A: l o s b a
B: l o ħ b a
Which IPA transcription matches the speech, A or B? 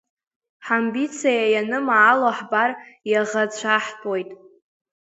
B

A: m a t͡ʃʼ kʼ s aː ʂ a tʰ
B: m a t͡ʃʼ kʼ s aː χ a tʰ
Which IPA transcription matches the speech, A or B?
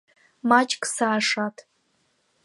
A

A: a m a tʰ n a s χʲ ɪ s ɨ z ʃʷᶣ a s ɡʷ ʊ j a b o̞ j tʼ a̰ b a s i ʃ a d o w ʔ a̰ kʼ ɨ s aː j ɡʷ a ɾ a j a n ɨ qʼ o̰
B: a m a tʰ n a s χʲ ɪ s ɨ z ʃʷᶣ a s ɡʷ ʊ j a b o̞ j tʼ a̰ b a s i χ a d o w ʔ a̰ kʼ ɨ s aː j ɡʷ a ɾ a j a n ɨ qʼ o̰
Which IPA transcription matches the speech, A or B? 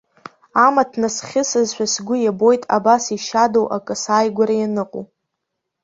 A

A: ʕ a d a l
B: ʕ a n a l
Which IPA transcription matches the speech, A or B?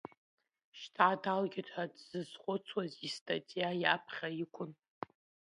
A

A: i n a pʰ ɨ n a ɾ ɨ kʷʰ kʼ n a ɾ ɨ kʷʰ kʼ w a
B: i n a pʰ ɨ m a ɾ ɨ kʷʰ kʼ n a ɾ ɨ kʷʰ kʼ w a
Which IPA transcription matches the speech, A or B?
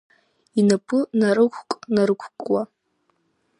A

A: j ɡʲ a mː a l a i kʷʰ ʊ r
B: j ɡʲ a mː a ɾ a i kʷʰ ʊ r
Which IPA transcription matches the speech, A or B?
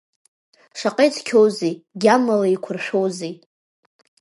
A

